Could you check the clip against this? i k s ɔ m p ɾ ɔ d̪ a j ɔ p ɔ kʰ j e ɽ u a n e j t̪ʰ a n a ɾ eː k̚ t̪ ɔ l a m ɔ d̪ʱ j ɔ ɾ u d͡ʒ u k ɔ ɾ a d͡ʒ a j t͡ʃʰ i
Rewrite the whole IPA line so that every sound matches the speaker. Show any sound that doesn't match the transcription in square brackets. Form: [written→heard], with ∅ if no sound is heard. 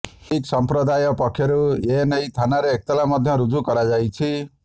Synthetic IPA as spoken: i k s ɔ m p ɾ ɔ d̪ a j ɔ p ɔ kʰ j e [ɽ→ɾ] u [a→e] n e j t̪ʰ a n a ɾ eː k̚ t̪ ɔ l a m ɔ d̪ʱ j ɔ ɾ u d͡ʒ u k ɔ ɾ a d͡ʒ a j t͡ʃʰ i

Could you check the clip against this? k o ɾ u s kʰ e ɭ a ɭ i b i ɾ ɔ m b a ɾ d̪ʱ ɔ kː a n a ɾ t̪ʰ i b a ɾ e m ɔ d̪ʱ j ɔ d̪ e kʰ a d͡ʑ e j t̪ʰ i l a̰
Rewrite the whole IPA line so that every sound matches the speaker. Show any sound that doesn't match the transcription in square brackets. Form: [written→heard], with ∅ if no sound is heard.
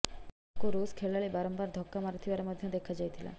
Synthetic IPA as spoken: k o ɾ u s kʰ e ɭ a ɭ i b [i→a] ɾ ɔ m b a ɾ d̪ʱ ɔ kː a [n→m] a ɾ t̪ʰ i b a ɾ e m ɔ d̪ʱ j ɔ d̪ e kʰ a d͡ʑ [e→a] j t̪ʰ i l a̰

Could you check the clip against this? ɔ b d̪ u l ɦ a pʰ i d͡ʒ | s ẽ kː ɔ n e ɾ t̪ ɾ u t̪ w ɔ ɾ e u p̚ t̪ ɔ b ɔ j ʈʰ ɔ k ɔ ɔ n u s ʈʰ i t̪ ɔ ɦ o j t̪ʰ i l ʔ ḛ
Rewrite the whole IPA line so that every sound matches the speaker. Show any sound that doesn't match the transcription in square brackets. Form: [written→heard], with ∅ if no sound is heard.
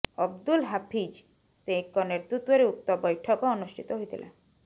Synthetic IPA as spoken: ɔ b d̪ u l ɦ a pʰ i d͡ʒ | s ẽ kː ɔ n e ɾ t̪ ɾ u t̪ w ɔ ɾ e u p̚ t̪ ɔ b ɔ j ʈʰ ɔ k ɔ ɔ n u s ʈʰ i t̪ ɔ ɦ o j t̪ʰ i l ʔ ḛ

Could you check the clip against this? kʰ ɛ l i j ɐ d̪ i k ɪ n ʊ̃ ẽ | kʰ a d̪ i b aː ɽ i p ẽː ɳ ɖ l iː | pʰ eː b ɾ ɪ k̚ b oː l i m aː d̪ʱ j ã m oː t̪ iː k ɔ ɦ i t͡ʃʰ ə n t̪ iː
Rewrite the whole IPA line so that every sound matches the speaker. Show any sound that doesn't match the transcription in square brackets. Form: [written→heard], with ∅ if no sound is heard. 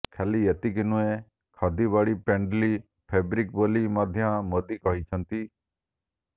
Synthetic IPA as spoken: kʰ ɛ l i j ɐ [d̪→t̪] i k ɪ n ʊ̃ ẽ | kʰ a d̪ i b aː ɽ i p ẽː ɳ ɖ l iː | pʰ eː b ɾ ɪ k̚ b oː l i m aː d̪ʱ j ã m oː [t̪→d̪] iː k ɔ ɦ i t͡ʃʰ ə n t̪ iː

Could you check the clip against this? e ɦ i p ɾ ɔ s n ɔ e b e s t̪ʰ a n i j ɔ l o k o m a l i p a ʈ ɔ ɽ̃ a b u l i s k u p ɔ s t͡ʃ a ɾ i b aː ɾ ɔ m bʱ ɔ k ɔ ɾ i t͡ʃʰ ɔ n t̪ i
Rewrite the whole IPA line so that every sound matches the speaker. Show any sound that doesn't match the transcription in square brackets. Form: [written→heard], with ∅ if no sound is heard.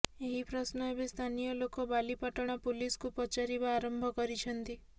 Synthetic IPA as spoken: e ɦ i p ɾ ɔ s n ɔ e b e s t̪ʰ a n i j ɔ l o k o [m→b] a l i p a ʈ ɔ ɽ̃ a [b→p] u l i s k u p ɔ [s→∅] t͡ʃ a ɾ i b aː ɾ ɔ m bʱ ɔ k ɔ ɾ i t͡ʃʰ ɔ n t̪ i

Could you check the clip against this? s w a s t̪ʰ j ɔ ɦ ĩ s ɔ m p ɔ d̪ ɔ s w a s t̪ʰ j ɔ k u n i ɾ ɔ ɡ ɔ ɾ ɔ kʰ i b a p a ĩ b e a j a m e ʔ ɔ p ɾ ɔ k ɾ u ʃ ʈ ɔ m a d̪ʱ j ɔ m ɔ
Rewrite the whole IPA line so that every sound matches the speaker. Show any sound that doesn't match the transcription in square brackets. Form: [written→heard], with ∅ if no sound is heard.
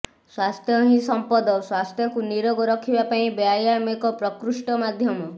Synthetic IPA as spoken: s w a s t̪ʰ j ɔ ɦ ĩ s ɔ m p ɔ d̪ ɔ s w a s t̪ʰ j ɔ k u n i ɾ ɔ ɡ ɔ ɾ ɔ kʰ i b a p a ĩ b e a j a m e [ʔ→k] ɔ p ɾ ɔ k ɾ u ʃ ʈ ɔ m a d̪ʱ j ɔ m ɔ

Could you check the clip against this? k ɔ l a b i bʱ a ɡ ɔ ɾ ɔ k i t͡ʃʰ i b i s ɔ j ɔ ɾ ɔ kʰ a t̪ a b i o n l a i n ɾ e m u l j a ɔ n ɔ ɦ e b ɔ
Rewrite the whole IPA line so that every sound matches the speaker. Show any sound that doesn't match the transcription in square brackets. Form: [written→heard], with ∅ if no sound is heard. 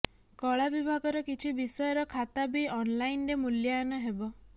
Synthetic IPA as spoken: k ɔ [l→ɭ] a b i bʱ a ɡ ɔ ɾ ɔ k i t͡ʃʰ i b i s ɔ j ɔ ɾ ɔ kʰ a t̪ a b i [o→ɔ] n l a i n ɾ e m u l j a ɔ n ɔ ɦ e b ɔ

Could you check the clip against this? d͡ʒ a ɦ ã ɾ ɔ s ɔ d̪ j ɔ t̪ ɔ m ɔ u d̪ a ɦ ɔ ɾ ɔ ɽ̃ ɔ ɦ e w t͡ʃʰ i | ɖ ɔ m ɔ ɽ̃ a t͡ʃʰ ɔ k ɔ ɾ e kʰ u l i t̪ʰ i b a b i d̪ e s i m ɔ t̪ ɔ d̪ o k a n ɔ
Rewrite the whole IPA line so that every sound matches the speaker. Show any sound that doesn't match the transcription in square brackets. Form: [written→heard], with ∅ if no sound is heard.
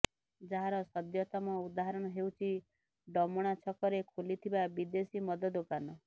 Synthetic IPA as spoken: d͡ʒ a ɦ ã ɾ ɔ s ɔ d̪ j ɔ t̪ ɔ m ɔ u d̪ a ɦ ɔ ɾ ɔ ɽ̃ ɔ ɦ e w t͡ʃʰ i | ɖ ɔ m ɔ ɽ̃ a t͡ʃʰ ɔ k ɔ ɾ e kʰ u l i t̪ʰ i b a b i d̪ e s i m ɔ [t̪→d̪] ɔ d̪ o k a n ɔ

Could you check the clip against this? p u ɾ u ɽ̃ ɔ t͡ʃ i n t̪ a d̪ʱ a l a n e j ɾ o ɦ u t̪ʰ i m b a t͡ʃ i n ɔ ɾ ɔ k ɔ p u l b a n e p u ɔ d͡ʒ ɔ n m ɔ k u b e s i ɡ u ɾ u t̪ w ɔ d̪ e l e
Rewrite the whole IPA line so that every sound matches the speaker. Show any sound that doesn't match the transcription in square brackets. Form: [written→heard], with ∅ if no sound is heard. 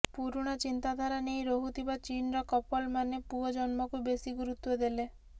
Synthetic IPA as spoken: p u ɾ u ɽ̃ ɔ t͡ʃ i n t̪ a d̪ʱ a [l→ɾ] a n e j ɾ o ɦ u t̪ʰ i [m→∅] b a t͡ʃ i n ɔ ɾ ɔ k ɔ p [u→ɔ] l [b→m] a n e p u ɔ d͡ʒ ɔ n m ɔ k u b e s i ɡ u ɾ u t̪ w ɔ d̪ e l e

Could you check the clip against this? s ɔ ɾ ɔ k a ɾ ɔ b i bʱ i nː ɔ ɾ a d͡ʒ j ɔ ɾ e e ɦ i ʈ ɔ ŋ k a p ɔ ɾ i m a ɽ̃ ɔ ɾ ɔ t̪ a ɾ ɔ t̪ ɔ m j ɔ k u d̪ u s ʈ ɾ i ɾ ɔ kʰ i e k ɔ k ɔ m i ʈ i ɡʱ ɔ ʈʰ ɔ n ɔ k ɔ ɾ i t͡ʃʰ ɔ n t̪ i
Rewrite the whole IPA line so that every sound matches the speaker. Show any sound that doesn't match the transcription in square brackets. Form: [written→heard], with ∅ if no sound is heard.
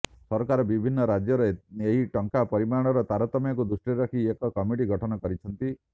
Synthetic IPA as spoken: s ɔ ɾ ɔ k a ɾ ɔ b i bʱ i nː ɔ ɾ a d͡ʒ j ɔ ɾ e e ɦ i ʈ ɔ ŋ k a p ɔ ɾ i m a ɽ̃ ɔ ɾ ɔ t̪ a ɾ ɔ t̪ ɔ m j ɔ k u d̪ u s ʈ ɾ i ɾ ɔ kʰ i e k ɔ k ɔ m i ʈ i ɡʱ ɔ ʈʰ ɔ n ɔ k ɔ ɾ i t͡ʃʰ ɔ n t̪ i

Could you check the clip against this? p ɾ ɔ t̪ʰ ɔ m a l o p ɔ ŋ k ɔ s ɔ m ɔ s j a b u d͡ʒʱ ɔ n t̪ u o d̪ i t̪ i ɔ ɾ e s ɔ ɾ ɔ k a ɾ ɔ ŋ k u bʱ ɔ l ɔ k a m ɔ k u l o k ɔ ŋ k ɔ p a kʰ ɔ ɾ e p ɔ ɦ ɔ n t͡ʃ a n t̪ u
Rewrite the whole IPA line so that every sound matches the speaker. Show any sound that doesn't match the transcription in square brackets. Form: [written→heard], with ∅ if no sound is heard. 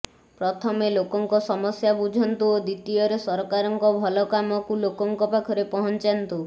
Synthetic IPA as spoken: p ɾ ɔ t̪ʰ ɔ m [a→e] l o [p→k] ɔ ŋ k ɔ s ɔ m ɔ s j a b u d͡ʒʱ ɔ n t̪ u o d̪ i t̪ i ɔ ɾ e s ɔ ɾ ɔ k a ɾ ɔ ŋ k [u→ɔ] bʱ ɔ l ɔ k a m ɔ k u l o k ɔ ŋ k ɔ p a kʰ ɔ ɾ e p ɔ ɦ ɔ n t͡ʃ a n t̪ u

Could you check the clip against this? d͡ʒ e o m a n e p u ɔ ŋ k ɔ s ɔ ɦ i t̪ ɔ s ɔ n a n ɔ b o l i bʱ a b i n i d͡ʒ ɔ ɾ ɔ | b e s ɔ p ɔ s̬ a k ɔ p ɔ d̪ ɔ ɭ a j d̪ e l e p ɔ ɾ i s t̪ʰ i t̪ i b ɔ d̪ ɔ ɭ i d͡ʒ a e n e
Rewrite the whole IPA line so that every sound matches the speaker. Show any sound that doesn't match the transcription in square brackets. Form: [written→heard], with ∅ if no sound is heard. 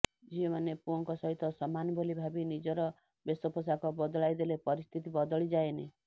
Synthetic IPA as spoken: d͡ʒ [e→i] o m a n e p u ɔ ŋ k ɔ s ɔ ɦ i t̪ ɔ s ɔ [n→m] a n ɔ b o l i bʱ a b i n i d͡ʒ ɔ ɾ ɔ | b e s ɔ p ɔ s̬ a k ɔ [p→b] ɔ d̪ ɔ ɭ a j d̪ e l e p ɔ ɾ i s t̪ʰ i t̪ i b ɔ d̪ ɔ ɭ i d͡ʒ a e n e

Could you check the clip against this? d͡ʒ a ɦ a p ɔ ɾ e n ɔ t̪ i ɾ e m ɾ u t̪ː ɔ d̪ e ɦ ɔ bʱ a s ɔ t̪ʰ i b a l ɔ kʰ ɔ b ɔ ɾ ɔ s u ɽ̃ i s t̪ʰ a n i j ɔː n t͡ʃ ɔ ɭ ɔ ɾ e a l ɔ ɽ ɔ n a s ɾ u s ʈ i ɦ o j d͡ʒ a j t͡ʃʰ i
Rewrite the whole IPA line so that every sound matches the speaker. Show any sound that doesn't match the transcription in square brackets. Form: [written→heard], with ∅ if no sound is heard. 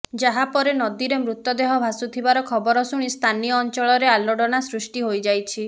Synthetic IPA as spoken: d͡ʒ a ɦ a p ɔ ɾ e n ɔ [t̪→d̪] i ɾ e m ɾ u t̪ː ɔ d̪ e ɦ ɔ bʱ a s [ɔ→u] t̪ʰ i b a [l→ɾ] ɔ kʰ ɔ b ɔ ɾ ɔ s u ɽ̃ i s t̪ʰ a n i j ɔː n t͡ʃ ɔ ɭ ɔ ɾ e a l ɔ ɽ ɔ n a s ɾ u s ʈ i ɦ o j d͡ʒ a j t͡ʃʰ i

